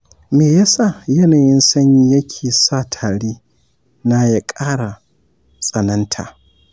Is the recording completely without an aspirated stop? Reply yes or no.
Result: no